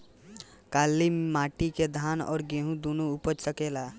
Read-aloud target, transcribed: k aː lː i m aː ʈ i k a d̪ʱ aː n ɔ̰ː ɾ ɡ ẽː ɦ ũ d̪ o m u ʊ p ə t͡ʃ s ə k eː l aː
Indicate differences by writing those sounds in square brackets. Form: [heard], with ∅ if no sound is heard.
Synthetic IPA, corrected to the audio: k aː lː i m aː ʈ i k [e] d̪ʱ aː n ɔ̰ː ɾ ɡ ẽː ɦ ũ d̪ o [n] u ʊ p ə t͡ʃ s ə k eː l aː